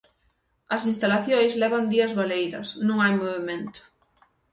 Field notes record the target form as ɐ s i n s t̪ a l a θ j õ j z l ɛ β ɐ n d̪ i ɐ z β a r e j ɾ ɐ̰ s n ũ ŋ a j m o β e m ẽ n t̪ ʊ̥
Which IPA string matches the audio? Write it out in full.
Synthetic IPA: ɐ s i n s t̪ a l a θ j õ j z l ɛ β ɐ n d̪ i ɐ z β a l e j ɾ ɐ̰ s n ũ ŋ a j m o β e m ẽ n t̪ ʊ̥